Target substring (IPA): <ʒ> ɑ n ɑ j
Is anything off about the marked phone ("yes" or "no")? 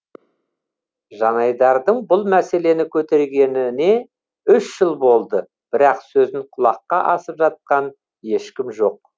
no